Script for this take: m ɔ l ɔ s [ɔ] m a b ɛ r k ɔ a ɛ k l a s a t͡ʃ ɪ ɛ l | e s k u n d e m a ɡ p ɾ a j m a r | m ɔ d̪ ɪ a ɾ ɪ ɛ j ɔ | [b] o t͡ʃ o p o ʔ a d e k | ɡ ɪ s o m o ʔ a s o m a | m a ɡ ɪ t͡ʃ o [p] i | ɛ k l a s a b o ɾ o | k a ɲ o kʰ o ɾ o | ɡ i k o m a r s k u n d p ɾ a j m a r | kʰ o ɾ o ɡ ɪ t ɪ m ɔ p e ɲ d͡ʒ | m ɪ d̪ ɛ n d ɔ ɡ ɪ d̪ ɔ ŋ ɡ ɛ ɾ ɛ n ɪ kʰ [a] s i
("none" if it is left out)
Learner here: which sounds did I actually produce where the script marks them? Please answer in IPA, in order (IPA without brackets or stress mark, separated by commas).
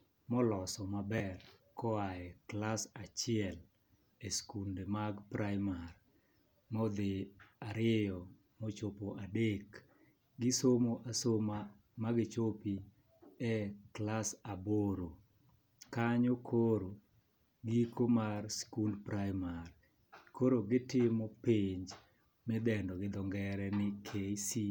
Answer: ɔ, m, p, e